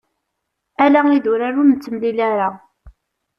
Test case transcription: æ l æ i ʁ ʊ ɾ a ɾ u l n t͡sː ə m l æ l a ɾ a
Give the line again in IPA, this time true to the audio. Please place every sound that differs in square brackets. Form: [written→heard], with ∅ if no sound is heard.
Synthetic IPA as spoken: æ l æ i [ʁ→ð] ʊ ɾ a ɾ u [l→∅] n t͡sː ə m l [æ→i] l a ɾ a